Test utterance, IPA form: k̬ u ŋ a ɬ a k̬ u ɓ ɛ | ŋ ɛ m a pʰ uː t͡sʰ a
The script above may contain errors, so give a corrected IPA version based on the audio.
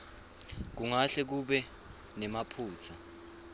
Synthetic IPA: k̬ u ŋ a ɬ ɛ k̬ u ɓ ɛ | n ɛ m a pʰ uː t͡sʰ a